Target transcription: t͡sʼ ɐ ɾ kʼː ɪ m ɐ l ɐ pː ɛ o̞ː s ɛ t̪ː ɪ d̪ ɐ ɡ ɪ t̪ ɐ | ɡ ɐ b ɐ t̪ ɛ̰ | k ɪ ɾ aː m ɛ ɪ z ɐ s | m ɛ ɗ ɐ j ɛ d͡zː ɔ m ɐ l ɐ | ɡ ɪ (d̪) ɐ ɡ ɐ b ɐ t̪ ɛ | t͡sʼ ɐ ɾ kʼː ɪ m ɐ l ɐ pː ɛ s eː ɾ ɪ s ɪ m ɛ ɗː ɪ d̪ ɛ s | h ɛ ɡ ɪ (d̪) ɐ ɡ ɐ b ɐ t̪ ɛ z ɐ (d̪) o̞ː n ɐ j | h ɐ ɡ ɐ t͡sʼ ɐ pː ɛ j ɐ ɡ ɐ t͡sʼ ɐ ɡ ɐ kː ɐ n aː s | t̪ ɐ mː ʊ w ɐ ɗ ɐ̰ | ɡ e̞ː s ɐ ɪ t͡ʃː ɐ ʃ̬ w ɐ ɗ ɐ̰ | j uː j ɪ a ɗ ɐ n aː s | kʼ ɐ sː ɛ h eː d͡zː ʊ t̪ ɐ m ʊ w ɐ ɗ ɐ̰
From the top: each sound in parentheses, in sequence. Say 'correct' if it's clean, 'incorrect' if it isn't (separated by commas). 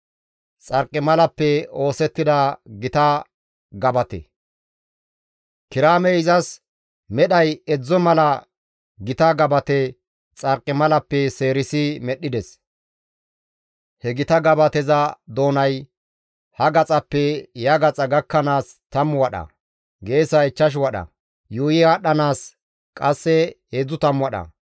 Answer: incorrect, incorrect, correct